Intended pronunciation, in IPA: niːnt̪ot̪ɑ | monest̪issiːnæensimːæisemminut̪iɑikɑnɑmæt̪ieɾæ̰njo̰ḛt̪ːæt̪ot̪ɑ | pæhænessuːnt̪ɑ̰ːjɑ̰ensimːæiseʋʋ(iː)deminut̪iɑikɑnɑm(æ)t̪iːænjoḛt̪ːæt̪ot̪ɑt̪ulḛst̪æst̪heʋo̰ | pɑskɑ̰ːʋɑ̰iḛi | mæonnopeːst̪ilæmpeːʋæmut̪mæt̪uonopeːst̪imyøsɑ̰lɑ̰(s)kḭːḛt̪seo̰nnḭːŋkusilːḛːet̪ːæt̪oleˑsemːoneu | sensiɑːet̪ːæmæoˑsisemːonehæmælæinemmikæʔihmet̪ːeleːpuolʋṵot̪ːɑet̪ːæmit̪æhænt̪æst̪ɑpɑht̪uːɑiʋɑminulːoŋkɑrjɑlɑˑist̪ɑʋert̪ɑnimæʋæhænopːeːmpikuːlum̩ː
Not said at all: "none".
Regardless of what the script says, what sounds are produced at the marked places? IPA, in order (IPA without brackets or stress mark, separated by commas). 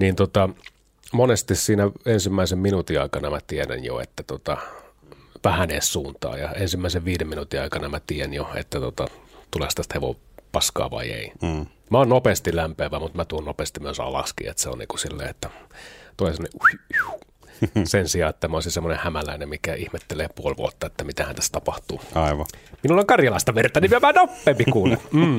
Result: iː, æ, s